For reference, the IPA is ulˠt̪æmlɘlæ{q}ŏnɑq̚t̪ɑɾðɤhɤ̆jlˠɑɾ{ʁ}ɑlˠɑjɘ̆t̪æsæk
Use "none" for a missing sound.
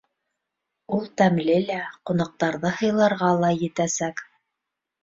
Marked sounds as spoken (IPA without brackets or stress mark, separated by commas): q, ʁ